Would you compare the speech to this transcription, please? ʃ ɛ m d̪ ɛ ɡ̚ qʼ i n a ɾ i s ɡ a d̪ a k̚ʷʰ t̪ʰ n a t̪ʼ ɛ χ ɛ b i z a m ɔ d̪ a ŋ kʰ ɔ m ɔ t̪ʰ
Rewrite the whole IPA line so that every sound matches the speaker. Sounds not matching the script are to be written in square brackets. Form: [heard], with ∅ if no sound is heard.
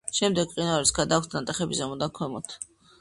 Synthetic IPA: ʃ ɛ m d̪ ɛ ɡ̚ qʼ i n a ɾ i s ɡ a d̪ a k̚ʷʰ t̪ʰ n a t̪ʼ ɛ χ ɛ b i z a m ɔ d̪ a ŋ kʰ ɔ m ɔ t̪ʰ